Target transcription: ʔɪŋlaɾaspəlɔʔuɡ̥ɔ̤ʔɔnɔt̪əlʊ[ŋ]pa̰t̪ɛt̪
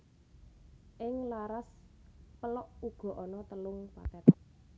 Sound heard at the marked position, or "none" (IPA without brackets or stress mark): ŋ